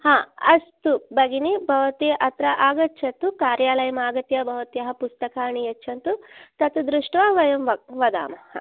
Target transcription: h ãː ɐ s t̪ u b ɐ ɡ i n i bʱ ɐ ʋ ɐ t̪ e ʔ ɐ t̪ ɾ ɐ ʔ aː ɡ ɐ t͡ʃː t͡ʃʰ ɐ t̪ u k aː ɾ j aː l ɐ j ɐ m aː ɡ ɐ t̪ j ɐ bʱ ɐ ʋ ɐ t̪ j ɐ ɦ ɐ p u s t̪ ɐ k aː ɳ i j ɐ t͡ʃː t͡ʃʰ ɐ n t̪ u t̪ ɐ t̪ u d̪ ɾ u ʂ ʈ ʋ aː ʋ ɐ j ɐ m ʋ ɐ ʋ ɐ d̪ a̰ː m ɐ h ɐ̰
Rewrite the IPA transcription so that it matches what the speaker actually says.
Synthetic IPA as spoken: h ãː ɐ s t̪ u b ɐ ɡ i n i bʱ ɐ ʋ ɐ t̪ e ʔ ɐ t̪ ɾ ɐ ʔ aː ɡ ɐ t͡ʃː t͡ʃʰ ɐ t̪ u k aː ɾ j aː l ɐ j ɐ m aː ɡ ɐ t̪ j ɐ bʱ ɐ ʋ ɐ t̪ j ɐ ɦ ɐ p u s t̪ ɐ k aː ɳ i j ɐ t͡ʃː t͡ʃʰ ɐ n t̪ u t̪ ɐ t̪ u d̪ ɾ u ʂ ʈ ʋ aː ʋ ɐ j ɐ m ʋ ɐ ʋ ɐ d̪ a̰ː m ɐ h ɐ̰